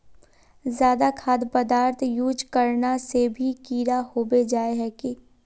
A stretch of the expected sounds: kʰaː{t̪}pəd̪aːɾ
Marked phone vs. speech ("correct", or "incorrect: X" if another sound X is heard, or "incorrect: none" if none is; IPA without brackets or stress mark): incorrect: d̪